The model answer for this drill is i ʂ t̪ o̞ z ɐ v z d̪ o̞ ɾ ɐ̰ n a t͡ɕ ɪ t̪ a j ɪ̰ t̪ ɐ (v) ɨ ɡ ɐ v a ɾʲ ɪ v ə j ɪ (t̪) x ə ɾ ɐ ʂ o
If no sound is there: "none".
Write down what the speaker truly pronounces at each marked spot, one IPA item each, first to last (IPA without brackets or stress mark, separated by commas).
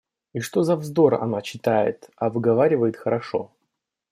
v, t̪